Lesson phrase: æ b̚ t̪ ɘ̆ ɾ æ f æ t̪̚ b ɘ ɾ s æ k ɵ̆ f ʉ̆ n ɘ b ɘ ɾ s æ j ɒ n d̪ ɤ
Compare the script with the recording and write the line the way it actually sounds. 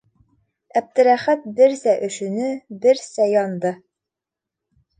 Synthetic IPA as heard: æ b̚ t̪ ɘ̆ ɾ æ χ æ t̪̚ b ɘ ɾ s æ ʔ ɵ̆ ʃ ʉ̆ n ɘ b ɘ ɾ s æ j ɒ n d̪ ɤ